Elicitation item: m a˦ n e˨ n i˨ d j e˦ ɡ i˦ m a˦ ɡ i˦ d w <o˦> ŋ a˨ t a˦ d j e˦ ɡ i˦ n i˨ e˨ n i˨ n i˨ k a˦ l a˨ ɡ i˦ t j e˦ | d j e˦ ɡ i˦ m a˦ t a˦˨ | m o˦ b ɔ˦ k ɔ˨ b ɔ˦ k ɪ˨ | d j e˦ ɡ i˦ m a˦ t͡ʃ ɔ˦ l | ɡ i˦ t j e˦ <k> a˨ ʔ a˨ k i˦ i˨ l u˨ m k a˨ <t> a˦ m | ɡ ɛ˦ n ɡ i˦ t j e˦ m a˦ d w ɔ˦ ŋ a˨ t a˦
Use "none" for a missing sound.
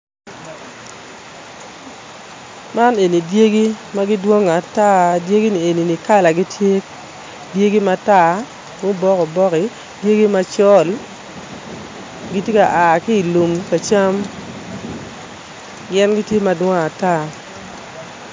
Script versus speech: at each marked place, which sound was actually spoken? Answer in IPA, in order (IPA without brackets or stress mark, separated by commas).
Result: o˦, k, t͡ʃ